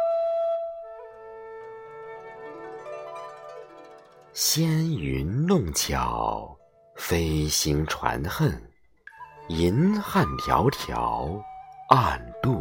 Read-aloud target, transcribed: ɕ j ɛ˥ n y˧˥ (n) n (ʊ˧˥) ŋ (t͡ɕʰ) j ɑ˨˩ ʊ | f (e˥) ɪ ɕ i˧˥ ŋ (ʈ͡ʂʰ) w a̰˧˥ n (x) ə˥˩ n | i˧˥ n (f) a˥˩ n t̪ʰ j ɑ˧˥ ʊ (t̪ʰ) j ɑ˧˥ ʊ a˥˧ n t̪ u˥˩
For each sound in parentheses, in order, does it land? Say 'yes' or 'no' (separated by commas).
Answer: yes, no, yes, yes, yes, yes, no, yes